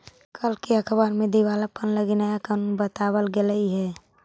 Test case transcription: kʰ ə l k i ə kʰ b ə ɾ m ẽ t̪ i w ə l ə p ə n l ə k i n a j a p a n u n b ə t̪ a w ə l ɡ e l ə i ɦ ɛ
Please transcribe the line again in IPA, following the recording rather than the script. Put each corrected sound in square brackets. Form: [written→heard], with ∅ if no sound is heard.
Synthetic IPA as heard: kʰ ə l k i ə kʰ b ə ɾ m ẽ [t̪→d̪] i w [ə→a] l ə p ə n l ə [k→ɡ] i n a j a [p→k] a n u n b ə t̪ a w ə l ɡ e l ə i ɦ ɛ